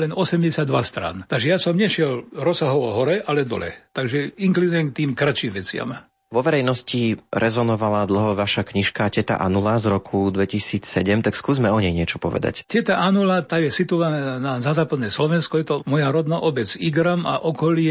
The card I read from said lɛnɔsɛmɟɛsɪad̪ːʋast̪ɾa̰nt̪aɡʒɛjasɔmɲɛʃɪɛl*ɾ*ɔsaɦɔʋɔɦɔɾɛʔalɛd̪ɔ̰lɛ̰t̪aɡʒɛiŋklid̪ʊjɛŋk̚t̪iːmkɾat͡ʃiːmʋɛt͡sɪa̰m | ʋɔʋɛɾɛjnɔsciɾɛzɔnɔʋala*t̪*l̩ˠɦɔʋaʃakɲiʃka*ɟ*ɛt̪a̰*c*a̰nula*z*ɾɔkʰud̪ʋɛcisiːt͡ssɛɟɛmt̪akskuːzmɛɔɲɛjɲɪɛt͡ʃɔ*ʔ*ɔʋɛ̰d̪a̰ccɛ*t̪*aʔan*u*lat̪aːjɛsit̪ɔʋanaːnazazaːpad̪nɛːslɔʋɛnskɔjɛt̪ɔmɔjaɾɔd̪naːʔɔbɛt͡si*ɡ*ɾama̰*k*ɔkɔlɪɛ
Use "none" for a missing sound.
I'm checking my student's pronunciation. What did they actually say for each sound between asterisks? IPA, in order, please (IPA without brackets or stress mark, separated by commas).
ɾ, d̪, c, ʔ, z, p, t̪, u, ɡ, ʔ